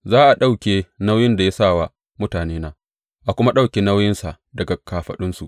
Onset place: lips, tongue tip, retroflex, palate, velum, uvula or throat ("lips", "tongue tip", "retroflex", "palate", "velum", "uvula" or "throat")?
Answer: tongue tip